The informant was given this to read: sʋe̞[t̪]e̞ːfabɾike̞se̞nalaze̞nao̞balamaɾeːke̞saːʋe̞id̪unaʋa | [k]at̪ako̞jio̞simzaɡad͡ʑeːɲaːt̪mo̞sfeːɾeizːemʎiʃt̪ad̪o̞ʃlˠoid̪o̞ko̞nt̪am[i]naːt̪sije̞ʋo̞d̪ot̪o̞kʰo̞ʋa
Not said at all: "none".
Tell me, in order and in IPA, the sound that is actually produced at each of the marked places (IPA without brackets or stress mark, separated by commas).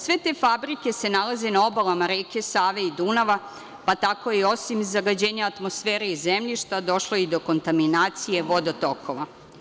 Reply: t̪, p, i